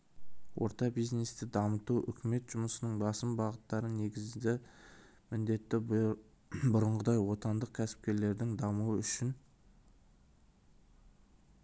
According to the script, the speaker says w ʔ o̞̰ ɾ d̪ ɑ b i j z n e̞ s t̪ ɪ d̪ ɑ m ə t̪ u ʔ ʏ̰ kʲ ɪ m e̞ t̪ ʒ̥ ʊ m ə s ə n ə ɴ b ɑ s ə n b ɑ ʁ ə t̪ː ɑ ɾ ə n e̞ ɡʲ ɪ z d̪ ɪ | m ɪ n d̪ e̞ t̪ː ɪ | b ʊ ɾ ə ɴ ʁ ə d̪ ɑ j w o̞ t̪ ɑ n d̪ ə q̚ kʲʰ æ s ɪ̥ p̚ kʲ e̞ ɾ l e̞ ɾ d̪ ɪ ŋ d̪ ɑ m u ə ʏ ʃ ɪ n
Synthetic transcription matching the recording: w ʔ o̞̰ ɾ t̪ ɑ b i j z n e̞ s t̪ ɪ d̪ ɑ m ə t̪ u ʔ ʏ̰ kʲ ɪ m e̞ t̪ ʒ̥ ʊ m ə s ə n ə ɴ b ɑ s ə m b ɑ ʁ ə t̪ː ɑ ɾ ə n e̞ ɡʲ ɪ z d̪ ɪ | m ɪ n d̪ e̞ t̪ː ɪ | b ʊ ɾ ə ɴ ʁ ə d̪ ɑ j w o̞ t̪ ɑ n d̪ ə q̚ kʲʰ æ s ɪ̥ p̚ kʲ e̞ ɾ l e̞ ɾ d̪ ɪ ŋ d̪ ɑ m u ə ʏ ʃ ɪ n